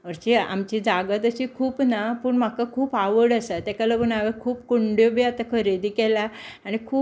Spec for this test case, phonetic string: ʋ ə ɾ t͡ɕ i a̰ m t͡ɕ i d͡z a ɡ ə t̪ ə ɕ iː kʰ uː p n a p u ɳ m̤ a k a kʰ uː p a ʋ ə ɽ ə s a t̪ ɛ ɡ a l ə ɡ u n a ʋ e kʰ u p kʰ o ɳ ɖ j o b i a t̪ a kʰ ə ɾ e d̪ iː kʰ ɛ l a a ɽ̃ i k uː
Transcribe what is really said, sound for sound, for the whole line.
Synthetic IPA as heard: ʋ ə ɾ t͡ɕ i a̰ m t͡ɕ i d͡z a ɡ ə t̪ ə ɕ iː kʰ uː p n a p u ɳ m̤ a k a kʰ uː p a ʋ ə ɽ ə s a t̪ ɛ k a l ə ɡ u n a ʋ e kʰ uː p k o ɳ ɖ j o b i a t̪ a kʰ ə ɾ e d̪ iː k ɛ l a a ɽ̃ i kʰ uː

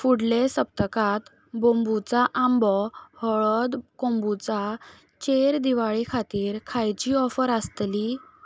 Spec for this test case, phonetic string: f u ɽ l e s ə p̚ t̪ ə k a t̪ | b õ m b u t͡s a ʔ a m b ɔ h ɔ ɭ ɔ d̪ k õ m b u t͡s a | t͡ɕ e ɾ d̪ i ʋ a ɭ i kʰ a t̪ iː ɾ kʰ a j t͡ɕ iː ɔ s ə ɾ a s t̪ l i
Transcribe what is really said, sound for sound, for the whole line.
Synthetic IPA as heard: f u ɽ l e s ə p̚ t̪ ə k a t̪ | b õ m b u t͡s a ʔ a m b ɔ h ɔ ɭ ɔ d̪ k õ m b u t͡s a | t͡ɕ e ɾ d̪ i ʋ a ɭ i kʰ a t̪ iː ɾ kʰ a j t͡ɕ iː ɔ f ə ɾ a s t̪ l i

